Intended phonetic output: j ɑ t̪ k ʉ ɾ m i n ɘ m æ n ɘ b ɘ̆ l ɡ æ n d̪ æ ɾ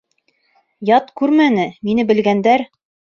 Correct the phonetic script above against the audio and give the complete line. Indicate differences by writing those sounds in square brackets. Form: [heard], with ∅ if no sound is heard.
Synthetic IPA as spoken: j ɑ t̪ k ʉ ɾ m [æ] n ɘ m [i] n ɘ b ɘ̆ l ɡ æ n d̪ æ ɾ